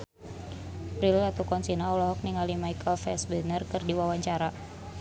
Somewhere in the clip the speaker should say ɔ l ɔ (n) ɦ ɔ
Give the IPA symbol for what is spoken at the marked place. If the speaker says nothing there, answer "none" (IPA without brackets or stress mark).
none